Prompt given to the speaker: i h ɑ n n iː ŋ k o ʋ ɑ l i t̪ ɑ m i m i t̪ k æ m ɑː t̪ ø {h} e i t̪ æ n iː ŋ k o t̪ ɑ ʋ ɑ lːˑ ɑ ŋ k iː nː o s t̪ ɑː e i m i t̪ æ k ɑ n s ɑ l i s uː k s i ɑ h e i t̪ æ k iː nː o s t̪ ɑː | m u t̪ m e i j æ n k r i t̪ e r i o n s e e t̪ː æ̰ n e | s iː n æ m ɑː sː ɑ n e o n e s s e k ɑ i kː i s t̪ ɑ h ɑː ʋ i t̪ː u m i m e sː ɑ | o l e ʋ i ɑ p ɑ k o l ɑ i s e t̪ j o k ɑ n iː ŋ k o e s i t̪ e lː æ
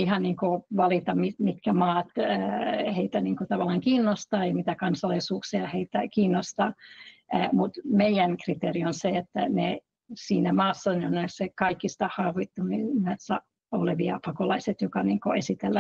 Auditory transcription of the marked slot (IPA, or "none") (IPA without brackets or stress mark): h